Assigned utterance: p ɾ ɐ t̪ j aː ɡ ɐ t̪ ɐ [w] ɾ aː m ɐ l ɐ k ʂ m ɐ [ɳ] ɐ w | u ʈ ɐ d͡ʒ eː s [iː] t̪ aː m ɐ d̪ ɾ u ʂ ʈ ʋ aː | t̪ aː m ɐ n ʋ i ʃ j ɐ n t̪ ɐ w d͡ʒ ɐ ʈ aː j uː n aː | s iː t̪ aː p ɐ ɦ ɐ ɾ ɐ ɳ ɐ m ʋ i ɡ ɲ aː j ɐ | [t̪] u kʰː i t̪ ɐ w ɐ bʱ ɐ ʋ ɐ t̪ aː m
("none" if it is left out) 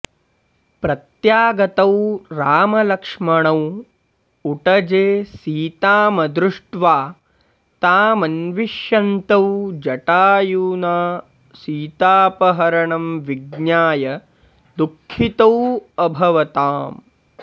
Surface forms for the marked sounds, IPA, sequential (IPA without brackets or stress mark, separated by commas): w, ɳ, iː, d̪